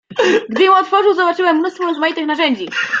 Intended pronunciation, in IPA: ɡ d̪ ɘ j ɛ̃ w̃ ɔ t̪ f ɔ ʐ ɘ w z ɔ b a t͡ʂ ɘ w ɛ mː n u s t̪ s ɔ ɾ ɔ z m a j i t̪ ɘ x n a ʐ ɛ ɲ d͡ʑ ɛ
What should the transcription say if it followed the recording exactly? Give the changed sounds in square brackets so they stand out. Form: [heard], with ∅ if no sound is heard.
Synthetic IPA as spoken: ɡ d̪ ɘ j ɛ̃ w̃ ɔ t̪ f ɔ ʐ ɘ w z ɔ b a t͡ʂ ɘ w ɛ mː n u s t̪ [f] ɔ ɾ ɔ z m a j i t̪ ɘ x n a ʐ ɛ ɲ d͡ʑ [i]